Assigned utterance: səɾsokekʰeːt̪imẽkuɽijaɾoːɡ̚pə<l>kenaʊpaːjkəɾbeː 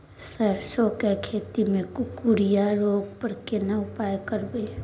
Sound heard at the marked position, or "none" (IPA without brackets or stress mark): ɾ